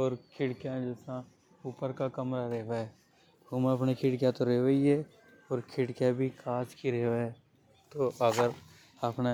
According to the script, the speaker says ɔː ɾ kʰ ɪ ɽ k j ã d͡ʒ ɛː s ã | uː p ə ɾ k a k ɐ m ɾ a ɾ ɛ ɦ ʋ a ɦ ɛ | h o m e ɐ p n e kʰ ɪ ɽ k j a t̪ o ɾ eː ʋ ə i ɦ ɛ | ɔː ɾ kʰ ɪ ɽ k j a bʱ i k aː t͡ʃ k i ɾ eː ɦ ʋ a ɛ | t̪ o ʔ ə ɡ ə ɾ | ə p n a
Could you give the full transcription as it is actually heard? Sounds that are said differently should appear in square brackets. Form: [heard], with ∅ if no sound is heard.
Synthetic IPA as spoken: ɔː ɾ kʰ ɪ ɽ k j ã d͡ʒ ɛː s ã | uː p ə ɾ k a k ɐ m ɾ a ɾ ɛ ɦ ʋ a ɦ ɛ | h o m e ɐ p n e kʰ ɪ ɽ k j a t̪ o ɾ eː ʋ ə i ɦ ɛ | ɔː ɾ kʰ ɪ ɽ k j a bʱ i k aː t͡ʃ k i ɾ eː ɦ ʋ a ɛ | t̪ o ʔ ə ɡ ə ɾ | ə p n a

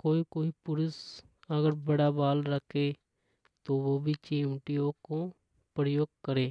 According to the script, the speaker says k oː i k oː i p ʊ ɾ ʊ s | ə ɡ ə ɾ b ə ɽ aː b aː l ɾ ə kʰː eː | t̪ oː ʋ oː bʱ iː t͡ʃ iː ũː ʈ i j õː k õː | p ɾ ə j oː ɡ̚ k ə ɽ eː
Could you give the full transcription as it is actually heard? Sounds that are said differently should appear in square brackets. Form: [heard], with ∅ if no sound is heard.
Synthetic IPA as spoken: k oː i k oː i p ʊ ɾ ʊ s | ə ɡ ə ɾ b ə ɽ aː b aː l ɾ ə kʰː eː | t̪ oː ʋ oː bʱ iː t͡ʃ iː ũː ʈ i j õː k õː | p ɾ ə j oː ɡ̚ k ə [ɾ] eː

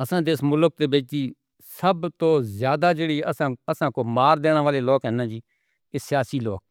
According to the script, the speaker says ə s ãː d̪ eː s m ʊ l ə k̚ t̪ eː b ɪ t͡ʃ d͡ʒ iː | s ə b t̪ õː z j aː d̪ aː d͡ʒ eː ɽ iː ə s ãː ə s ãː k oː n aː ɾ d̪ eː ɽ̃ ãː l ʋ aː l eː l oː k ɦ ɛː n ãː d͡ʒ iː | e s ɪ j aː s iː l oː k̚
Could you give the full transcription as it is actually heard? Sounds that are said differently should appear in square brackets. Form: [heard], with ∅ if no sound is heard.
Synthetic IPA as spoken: ə s ãː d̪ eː s m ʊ l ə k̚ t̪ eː b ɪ t͡ʃ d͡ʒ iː | s ə b t̪ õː z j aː d̪ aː d͡ʒ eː ɽ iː ə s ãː ə s ãː k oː [m] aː ɾ d̪ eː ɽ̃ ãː [∅] ʋ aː l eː l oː k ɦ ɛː n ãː d͡ʒ iː | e s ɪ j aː s iː l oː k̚

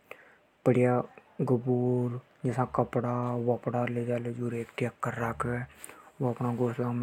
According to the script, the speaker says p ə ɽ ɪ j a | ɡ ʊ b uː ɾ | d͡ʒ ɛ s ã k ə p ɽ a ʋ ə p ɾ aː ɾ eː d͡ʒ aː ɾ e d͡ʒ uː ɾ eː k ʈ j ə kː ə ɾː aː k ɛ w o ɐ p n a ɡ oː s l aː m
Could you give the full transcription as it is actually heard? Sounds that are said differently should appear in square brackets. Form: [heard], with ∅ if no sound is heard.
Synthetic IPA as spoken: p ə ɽ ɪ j a | ɡ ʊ b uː ɾ | d͡ʒ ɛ s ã k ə p ɽ a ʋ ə p [ɽ] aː [l] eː d͡ʒ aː [l] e d͡ʒ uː ɾ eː k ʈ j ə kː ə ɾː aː k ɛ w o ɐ p n a ɡ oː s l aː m

